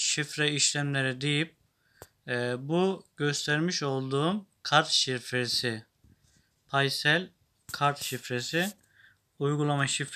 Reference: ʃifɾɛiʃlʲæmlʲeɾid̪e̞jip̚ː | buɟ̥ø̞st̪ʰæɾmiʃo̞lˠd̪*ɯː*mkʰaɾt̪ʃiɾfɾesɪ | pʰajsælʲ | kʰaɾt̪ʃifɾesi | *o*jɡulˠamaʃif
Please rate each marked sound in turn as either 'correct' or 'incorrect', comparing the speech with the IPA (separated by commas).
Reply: incorrect, incorrect